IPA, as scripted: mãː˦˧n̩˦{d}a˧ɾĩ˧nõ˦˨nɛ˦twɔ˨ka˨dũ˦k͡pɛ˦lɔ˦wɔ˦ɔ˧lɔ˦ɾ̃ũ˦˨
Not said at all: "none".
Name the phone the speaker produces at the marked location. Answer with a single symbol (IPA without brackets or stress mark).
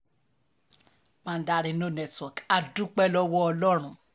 d